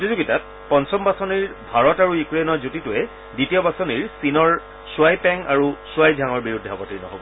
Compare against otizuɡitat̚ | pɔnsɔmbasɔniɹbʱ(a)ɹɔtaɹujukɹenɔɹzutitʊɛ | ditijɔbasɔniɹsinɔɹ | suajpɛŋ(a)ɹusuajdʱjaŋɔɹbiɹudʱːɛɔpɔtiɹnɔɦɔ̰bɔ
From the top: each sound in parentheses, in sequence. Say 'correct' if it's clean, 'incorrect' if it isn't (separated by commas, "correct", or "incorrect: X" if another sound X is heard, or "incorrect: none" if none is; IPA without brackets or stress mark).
correct, correct